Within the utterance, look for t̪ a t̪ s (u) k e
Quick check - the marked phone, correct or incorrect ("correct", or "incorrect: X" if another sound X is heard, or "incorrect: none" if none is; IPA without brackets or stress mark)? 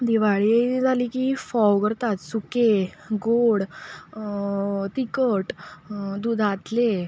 correct